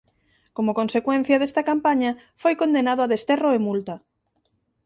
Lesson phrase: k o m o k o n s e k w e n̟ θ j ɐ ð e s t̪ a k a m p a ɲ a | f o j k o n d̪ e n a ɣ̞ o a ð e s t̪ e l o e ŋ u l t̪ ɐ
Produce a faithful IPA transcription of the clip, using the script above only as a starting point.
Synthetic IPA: k o m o k o n s e k w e n̟ θ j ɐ ð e s t̪ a k a m p a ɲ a | f o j k o n d̪ e n a ð̞ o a ð e s t̪ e r o e m u l t̪ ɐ